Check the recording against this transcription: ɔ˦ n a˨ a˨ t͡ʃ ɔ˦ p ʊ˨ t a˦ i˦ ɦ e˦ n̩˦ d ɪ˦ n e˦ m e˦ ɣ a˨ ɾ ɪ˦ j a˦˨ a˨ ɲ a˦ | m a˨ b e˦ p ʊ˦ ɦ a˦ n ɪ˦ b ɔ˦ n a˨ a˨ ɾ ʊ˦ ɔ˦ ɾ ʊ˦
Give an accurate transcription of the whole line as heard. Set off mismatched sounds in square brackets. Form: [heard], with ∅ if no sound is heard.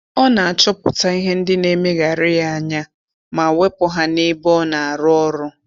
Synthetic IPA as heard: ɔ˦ n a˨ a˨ t͡ʃ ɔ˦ p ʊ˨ t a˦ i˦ ɦ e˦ n̩˦ d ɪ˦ n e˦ m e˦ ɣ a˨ ɾ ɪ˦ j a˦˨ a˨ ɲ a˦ | m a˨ [w] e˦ p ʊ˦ ɦ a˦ n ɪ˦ b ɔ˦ n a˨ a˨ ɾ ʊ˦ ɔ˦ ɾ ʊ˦